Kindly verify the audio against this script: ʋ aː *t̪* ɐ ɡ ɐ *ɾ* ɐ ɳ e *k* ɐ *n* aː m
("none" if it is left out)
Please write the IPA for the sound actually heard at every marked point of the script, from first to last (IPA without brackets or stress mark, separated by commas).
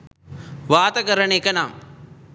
t̪, ɾ, k, n